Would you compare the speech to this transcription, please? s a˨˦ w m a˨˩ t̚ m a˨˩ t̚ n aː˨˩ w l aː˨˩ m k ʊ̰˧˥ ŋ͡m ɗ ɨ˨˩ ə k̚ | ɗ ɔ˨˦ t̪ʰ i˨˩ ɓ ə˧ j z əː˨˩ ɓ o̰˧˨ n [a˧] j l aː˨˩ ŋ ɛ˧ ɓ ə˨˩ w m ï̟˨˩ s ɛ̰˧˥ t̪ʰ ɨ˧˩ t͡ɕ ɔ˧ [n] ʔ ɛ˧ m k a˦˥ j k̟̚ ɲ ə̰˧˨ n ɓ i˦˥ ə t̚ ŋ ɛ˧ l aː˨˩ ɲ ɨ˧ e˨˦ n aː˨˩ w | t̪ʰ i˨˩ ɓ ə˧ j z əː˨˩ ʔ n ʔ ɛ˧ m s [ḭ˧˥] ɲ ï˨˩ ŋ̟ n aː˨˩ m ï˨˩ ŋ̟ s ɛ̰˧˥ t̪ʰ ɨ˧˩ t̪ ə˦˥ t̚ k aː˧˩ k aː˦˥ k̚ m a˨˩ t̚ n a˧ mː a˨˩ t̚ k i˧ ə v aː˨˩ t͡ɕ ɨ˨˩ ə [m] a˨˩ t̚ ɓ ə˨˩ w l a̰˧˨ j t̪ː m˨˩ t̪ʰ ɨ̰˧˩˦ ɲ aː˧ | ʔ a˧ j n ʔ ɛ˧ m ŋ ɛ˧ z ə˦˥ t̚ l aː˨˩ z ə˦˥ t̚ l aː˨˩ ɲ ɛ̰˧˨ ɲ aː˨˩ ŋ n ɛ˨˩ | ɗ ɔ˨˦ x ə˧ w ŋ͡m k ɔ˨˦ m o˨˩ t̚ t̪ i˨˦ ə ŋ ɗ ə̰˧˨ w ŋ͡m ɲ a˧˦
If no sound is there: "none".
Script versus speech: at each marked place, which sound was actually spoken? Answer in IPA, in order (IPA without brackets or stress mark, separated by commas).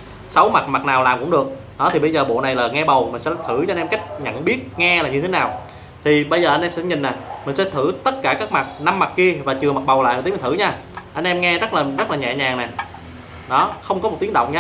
a˨˩, n, ɛ̰˧˥, m